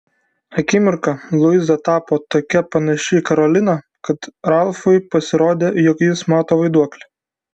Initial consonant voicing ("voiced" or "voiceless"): voiceless